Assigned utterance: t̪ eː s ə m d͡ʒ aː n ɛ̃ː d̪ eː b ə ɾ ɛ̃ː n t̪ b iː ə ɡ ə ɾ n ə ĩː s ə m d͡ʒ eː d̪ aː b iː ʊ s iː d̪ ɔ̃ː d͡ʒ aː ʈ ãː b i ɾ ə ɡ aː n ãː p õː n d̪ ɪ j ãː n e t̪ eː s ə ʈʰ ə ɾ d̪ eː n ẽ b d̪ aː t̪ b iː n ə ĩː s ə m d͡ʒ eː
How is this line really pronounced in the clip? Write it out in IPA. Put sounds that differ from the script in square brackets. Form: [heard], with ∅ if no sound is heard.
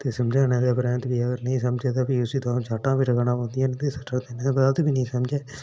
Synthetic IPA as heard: t̪ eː s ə m d͡ʒ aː n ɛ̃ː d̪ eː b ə ɾ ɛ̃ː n t̪ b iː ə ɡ ə ɾ n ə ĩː s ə m d͡ʒ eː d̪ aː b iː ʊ s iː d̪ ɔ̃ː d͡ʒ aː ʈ ãː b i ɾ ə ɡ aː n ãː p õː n d̪ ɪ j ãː n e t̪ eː s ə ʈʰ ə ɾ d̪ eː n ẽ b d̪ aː t̪ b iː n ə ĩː s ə m d͡ʒ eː